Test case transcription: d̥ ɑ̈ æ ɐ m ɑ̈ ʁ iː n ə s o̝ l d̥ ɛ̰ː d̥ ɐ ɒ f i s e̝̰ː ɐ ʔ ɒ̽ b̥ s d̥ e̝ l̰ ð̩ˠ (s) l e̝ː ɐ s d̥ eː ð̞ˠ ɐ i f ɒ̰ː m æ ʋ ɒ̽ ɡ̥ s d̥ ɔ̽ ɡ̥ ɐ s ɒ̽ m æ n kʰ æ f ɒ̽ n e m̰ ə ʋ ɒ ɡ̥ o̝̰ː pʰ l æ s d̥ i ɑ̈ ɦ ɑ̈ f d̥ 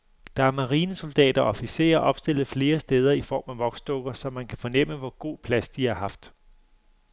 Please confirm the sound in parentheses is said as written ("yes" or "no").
no